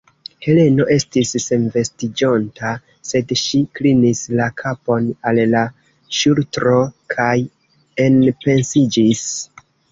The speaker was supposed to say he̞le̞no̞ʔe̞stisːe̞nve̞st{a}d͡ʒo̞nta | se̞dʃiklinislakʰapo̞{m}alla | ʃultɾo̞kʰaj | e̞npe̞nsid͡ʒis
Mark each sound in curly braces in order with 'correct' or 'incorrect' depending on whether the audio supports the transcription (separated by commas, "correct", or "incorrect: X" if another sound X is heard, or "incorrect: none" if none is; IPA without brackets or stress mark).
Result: incorrect: i, incorrect: n